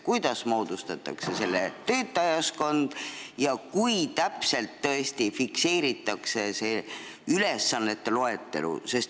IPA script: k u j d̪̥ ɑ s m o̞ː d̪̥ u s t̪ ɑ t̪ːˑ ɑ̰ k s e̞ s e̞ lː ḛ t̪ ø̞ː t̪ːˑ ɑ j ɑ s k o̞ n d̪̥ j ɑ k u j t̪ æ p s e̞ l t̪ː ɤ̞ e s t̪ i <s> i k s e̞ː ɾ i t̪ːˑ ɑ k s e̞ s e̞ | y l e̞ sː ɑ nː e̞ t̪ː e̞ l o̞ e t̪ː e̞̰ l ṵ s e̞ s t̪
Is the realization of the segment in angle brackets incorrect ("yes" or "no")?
yes